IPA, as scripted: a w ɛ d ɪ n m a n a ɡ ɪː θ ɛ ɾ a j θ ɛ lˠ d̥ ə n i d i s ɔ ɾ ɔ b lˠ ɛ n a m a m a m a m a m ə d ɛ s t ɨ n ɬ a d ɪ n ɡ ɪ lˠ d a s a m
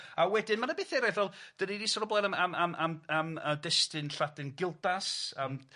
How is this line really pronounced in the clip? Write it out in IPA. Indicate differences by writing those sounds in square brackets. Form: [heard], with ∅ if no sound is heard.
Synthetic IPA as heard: a w ɛ d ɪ n m a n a [b] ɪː θ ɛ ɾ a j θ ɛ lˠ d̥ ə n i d i s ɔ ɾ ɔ b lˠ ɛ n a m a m a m a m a m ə d ɛ s t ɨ n ɬ a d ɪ n ɡ ɪ lˠ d a s a m